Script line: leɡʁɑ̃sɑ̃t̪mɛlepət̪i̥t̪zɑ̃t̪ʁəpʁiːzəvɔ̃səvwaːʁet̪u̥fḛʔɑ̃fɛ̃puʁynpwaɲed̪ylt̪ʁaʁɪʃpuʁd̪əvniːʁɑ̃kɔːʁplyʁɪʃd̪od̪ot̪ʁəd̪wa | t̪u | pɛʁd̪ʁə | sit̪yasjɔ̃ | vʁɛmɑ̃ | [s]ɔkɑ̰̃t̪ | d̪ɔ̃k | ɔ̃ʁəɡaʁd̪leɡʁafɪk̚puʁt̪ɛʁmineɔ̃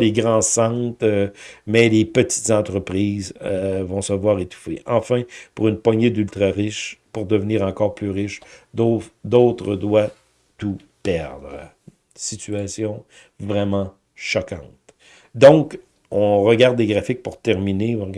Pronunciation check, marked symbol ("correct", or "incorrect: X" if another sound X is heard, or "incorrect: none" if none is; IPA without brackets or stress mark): incorrect: ʃ